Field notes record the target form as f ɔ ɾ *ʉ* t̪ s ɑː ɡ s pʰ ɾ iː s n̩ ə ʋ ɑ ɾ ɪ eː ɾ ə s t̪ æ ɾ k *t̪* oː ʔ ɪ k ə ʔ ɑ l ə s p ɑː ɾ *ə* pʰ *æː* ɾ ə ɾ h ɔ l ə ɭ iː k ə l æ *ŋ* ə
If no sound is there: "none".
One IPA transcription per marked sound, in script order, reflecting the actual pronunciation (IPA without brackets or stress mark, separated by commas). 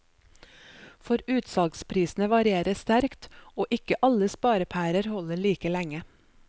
ʉː, t̪, ə, æː, ŋ